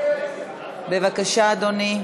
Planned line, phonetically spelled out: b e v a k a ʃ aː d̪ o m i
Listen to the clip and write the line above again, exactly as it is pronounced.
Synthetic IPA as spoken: b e v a k a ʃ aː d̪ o n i

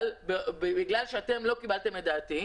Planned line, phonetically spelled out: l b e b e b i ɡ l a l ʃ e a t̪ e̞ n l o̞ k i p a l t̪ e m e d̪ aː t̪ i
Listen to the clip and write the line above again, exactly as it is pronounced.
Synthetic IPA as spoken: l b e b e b i ɡ l a l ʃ e a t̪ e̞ m l o̞ k i b a l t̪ e m e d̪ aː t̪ i

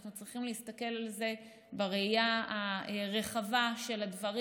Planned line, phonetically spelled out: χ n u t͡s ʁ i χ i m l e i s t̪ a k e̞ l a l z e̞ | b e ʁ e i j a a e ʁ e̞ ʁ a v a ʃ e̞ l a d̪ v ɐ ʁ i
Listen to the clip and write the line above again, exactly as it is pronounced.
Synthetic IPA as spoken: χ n u t͡s ʁ i χ i m l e i s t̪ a k e̞ l a l z e̞ | b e ʁ e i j a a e ʁ e̞ χ a v a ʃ e̞ l a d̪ v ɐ ʁ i

